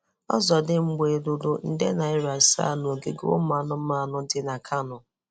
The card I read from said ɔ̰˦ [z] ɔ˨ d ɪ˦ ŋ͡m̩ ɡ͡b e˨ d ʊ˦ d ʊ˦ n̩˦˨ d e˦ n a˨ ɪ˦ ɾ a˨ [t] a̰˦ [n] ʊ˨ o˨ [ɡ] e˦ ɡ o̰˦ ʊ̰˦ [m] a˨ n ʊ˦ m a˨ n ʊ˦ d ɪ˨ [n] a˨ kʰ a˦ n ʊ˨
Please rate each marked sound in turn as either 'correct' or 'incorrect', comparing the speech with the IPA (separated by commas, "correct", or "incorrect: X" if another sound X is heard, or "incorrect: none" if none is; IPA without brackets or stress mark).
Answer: correct, incorrect: s, correct, correct, correct, correct